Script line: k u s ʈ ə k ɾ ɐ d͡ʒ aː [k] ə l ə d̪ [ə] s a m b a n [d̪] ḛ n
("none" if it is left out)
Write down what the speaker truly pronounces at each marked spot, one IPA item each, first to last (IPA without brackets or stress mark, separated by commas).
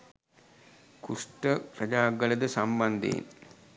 ɡ, ə, d̪